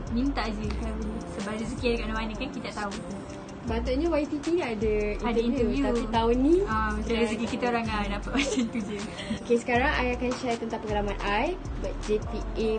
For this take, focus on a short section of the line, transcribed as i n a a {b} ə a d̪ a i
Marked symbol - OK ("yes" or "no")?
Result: no